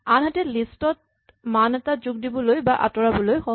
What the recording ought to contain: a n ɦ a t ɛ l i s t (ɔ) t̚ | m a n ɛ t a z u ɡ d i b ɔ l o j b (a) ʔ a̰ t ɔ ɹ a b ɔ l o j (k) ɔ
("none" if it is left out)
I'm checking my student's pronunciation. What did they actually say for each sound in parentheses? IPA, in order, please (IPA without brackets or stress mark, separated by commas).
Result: ɔ, a, x